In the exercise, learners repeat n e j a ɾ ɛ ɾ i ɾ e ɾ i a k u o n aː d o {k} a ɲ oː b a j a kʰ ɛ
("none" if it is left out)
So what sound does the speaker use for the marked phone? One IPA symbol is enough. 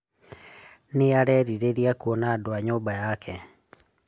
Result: none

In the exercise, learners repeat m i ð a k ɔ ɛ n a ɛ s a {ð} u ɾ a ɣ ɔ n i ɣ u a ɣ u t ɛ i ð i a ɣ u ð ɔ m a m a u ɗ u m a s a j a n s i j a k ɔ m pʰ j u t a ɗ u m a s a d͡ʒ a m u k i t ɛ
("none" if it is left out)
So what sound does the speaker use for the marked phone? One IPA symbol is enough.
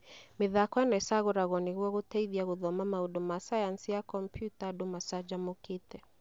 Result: ɣ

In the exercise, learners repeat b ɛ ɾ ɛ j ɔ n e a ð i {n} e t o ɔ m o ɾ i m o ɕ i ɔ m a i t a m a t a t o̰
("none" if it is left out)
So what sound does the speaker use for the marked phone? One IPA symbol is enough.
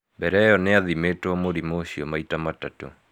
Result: m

